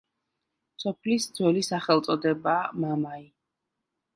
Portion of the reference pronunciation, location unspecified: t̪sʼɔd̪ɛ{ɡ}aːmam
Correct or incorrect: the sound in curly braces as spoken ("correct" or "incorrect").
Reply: incorrect